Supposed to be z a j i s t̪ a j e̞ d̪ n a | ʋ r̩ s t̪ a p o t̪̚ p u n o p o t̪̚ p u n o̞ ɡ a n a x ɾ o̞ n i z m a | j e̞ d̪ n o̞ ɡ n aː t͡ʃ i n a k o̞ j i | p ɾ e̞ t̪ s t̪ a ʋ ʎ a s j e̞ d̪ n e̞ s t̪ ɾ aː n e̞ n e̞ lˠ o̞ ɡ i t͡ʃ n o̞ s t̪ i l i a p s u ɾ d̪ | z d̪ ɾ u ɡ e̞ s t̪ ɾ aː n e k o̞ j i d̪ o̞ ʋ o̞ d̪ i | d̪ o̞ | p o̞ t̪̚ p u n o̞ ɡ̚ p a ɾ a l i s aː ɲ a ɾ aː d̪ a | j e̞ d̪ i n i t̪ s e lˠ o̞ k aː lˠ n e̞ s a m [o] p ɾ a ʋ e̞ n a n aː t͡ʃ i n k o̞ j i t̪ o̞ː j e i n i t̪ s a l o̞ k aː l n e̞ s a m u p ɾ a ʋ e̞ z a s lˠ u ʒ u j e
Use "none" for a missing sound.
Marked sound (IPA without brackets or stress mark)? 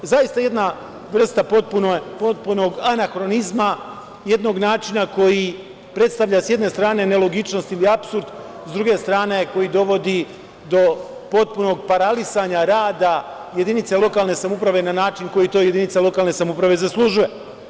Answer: u